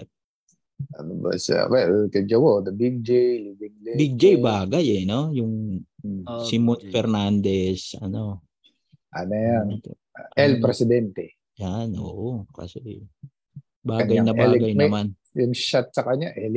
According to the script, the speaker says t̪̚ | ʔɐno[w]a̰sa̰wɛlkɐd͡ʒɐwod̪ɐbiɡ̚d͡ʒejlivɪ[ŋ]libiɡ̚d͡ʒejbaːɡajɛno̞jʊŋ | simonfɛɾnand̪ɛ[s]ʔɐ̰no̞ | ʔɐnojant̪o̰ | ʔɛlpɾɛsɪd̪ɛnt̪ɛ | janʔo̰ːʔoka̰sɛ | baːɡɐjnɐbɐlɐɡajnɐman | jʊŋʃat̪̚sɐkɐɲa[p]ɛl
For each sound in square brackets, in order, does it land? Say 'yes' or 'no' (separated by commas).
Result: no, yes, yes, no